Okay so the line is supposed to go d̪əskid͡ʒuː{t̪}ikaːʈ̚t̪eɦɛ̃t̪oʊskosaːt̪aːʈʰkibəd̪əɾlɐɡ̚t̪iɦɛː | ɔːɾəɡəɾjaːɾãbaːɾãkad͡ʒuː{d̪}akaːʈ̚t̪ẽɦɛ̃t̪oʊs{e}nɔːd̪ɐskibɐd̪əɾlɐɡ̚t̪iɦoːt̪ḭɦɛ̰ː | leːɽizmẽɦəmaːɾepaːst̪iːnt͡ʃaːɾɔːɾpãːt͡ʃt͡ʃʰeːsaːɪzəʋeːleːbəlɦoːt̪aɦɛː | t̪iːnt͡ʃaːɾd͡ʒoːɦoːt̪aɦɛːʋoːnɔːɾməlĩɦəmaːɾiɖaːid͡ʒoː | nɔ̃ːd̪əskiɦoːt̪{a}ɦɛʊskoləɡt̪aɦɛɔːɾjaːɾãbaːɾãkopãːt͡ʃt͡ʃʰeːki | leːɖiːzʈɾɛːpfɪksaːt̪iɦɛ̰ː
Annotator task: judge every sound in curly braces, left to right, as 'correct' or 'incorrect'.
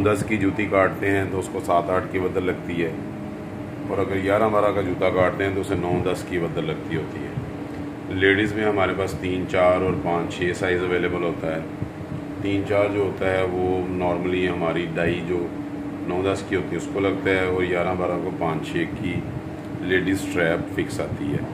correct, incorrect, correct, incorrect

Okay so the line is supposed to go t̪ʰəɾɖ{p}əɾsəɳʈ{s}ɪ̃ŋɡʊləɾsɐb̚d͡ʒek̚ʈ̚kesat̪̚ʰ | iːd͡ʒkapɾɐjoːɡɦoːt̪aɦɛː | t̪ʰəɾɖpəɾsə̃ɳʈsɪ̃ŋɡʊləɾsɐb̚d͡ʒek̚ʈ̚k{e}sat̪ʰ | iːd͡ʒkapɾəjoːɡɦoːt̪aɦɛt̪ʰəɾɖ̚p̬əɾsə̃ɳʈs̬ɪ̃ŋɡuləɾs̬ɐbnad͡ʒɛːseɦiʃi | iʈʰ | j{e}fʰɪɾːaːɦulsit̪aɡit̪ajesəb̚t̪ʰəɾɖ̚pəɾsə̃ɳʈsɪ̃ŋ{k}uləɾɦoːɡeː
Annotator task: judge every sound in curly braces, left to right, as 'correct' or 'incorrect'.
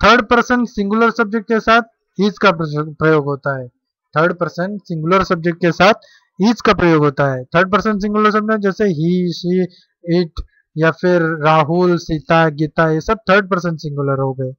correct, correct, correct, incorrect, incorrect

